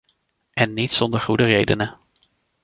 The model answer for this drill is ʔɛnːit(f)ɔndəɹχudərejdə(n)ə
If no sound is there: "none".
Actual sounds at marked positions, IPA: s, n

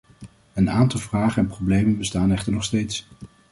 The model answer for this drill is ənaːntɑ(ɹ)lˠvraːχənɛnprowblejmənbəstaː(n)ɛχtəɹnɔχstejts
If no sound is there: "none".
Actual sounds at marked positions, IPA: none, n

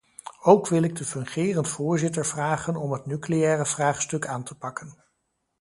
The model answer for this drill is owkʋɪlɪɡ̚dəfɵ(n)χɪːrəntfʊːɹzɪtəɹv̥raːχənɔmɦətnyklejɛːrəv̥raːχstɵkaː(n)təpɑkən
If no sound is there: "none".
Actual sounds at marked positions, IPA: ŋ, n

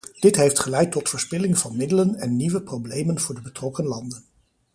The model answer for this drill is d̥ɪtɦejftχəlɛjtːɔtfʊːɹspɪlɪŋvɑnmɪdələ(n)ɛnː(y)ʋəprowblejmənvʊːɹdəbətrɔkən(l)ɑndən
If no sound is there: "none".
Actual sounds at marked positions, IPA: n, i, l

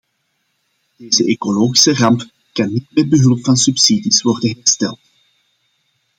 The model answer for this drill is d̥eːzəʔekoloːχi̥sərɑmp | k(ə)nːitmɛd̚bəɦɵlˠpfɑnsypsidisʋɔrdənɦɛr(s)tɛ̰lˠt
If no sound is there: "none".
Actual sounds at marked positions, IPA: ɑ, s

